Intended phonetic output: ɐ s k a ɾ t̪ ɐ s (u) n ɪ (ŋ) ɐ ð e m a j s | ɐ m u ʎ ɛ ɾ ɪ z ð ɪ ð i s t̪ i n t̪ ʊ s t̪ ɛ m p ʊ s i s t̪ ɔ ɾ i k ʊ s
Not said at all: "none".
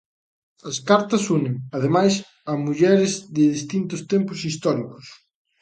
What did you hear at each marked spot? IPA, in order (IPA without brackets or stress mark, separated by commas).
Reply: u, ŋ